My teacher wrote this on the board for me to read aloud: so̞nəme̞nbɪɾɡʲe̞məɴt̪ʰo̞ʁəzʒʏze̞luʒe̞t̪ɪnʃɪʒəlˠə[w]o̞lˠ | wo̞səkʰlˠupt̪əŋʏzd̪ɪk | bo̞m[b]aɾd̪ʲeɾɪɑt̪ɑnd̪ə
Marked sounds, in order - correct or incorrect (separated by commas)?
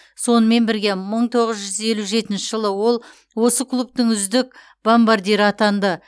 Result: correct, correct